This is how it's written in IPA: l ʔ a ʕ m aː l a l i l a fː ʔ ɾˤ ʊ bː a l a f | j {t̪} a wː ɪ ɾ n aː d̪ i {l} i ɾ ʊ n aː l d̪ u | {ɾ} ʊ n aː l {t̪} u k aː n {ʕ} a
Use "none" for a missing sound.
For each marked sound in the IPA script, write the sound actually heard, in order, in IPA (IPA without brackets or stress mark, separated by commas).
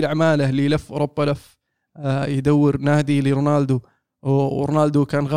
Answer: d̪, l, ɾ, d̪, ɣ